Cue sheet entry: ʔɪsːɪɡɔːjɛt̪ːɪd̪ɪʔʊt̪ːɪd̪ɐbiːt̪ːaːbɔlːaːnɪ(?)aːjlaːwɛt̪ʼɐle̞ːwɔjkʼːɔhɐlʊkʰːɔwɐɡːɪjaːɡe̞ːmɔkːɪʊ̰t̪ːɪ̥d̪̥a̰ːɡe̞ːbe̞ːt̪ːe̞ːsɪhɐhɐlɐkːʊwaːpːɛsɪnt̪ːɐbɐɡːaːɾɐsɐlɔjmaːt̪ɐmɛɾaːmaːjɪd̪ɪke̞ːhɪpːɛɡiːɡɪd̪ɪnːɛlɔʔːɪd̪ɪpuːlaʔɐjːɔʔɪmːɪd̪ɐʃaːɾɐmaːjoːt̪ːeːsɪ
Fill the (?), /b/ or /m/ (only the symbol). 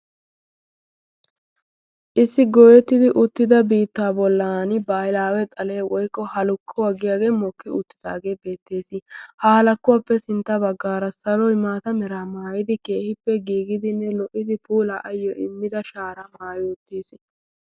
b